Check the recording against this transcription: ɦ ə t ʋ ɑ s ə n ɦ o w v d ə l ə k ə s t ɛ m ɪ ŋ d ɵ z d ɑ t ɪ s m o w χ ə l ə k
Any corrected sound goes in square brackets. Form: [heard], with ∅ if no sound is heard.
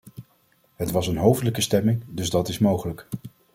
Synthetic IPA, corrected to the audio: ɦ ə t ʋ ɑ s ə n ɦ o w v d ə l ə k ə s t ɛ m ɪ ŋ d ɵ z d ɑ t ɪ s m o w χ ə l ə k